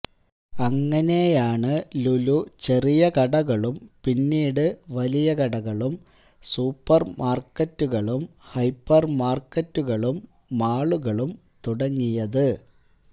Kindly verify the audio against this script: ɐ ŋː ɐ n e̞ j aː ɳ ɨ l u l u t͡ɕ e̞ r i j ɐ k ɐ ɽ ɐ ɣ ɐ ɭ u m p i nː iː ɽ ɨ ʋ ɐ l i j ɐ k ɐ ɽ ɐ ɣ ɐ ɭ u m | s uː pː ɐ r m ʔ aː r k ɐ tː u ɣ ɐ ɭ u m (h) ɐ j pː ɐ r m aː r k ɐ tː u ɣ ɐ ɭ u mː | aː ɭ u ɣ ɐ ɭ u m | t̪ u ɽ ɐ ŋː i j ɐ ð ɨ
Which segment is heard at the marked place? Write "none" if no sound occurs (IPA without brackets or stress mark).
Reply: h